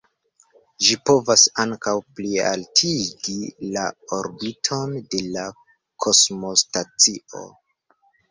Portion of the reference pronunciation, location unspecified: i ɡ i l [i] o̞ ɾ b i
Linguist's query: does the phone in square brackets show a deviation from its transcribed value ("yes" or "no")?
yes